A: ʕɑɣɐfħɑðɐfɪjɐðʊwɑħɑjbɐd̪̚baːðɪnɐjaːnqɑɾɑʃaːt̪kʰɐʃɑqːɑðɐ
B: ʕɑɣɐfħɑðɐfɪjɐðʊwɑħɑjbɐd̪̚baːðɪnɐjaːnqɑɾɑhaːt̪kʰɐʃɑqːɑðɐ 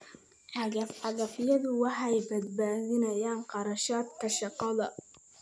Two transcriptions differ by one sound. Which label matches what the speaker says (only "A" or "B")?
A